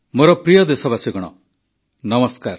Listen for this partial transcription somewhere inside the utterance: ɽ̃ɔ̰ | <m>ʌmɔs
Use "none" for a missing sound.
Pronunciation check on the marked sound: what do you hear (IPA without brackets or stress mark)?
n